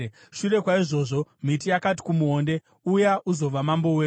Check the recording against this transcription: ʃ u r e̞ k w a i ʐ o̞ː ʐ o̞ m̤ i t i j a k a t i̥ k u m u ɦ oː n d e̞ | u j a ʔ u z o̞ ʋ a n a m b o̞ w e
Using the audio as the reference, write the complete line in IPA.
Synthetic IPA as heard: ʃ u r e̞ k w a i ʐ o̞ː ʐ o̞ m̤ i t i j a k a t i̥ k u m u ɦ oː n d e̞ | u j a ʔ u z o̞ ʋ a m a m b o̞ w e